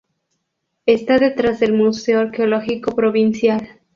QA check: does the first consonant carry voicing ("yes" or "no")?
no